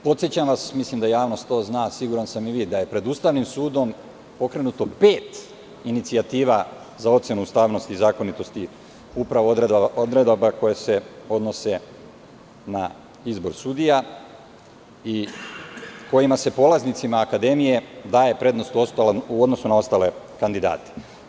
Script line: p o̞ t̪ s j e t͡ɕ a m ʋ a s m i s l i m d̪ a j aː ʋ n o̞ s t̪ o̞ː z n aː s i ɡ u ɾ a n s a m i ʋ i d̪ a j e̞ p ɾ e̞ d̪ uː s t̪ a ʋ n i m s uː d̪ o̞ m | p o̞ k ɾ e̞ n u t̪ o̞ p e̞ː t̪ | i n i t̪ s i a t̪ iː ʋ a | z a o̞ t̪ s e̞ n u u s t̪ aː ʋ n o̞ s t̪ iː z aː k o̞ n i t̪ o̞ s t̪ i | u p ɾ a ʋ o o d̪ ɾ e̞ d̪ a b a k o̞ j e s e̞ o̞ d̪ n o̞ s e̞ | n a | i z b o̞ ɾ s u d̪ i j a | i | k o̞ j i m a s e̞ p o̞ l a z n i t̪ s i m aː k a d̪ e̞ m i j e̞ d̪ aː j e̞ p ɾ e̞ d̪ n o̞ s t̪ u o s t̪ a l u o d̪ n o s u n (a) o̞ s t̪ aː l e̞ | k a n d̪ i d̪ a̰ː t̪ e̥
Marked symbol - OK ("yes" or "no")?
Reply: yes